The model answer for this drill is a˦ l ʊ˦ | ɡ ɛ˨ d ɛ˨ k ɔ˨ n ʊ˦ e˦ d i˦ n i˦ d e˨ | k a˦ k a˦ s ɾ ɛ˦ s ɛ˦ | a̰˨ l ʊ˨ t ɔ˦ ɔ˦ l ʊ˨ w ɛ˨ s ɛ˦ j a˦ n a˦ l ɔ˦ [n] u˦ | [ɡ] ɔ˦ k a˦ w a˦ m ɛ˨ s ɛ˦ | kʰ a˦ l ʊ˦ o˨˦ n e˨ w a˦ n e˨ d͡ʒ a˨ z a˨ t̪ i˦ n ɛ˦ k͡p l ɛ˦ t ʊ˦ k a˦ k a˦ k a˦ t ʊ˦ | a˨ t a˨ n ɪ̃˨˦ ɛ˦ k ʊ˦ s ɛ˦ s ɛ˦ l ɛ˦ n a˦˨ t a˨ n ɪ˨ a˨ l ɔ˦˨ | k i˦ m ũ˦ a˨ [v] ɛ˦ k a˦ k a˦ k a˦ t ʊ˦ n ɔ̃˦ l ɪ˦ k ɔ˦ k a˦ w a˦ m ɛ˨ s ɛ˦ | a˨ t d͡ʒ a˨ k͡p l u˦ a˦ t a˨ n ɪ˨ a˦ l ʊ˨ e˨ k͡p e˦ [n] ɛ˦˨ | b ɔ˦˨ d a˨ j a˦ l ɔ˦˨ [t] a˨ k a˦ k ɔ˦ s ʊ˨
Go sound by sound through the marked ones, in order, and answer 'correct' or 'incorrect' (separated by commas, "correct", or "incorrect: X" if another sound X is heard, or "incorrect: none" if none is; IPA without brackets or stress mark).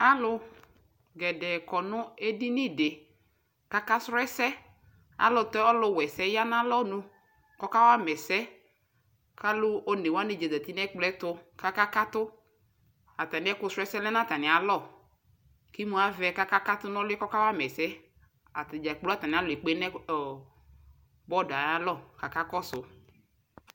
correct, incorrect: k, correct, correct, incorrect: k